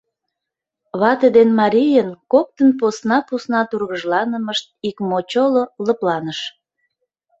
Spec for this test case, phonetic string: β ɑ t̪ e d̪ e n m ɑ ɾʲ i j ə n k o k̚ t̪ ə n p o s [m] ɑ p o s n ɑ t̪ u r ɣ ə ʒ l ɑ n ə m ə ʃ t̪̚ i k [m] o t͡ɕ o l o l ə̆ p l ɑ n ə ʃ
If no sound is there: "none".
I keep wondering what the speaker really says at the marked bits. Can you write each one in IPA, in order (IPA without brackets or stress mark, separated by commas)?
n, m